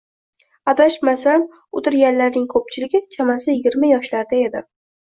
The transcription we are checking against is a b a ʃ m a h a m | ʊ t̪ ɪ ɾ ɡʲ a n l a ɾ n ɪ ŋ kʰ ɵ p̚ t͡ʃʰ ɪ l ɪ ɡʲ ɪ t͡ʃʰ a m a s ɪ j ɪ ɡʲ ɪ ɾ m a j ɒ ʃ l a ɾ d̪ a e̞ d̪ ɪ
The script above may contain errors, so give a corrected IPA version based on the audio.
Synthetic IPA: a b a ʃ m a s a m | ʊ t̪ ɪ ɾ ɡʲ a n l a ɾ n ɪ ŋ kʰ ɵ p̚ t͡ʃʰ ɪ l ɪ ɡʲ ɪ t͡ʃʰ a m a s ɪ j ɪ ɡʲ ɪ ɾ m a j ɒ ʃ l a ɾ d̪ a e̞ d̪ ɪ

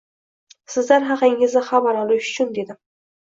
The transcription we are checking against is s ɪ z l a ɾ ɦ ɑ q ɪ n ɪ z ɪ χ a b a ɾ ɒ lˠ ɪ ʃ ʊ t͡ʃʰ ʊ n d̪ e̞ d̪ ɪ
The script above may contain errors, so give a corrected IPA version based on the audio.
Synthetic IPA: s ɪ z l a ɾ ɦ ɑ q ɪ ŋ ɪ z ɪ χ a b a ɾ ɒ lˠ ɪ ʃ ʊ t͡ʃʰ ʊ n d̪ e̞ d̪ ɪ

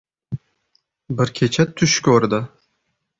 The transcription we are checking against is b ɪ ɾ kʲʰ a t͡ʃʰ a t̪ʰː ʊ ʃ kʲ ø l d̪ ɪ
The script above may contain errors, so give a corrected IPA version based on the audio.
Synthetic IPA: b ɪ ɾ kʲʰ e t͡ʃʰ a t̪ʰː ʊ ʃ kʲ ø ɾ d̪ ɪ

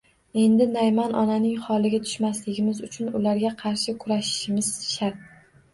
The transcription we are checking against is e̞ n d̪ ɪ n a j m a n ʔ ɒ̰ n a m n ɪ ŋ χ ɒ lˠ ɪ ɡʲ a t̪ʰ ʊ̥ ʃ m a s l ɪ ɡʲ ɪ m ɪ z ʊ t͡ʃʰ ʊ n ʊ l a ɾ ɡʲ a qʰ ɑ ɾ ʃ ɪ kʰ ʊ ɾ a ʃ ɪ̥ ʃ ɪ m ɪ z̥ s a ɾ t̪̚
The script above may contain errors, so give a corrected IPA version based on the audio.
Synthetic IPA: e̞ n d̪ ɪ n a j m a n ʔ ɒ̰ n a n ɪ ŋ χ ɒ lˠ ɪ ɡʲ a t̪ʰ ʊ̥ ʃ m a s l ɪ ɡʲ ɪ m ɪ z ʊ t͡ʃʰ ʊ n ʊ l a ɾ ɡʲ a qʰ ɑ ɾ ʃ ɪ kʰ ʊ ɾ a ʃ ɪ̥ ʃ ɪ m ɪ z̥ ʃ a ɾ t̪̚

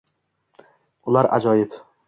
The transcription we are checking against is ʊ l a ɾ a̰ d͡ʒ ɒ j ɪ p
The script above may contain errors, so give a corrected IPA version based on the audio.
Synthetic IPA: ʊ l a ɾ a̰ d͡ʒ ɒ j ɪ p

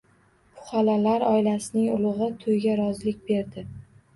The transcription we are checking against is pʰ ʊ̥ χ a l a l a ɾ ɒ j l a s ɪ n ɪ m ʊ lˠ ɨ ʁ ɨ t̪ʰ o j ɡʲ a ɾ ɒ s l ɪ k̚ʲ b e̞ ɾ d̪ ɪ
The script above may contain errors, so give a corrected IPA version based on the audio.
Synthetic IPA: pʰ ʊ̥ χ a l a l a ɾ ɒ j l a s ɪ n ɪ ŋ ʊ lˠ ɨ ʁ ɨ t̪ʰ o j ɡʲ a ɾ ɒ z l ɪ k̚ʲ b e̞ ɾ d̪ ɪ

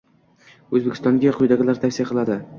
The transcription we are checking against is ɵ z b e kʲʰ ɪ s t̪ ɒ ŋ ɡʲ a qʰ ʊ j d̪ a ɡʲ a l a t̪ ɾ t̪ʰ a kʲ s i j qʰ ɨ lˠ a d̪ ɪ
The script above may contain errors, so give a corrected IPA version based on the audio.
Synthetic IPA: ɵ z b e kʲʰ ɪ s t̪ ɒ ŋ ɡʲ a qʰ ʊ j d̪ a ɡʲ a l a ɾ t̪ʰ a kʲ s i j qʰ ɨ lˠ a d̪ ɪ

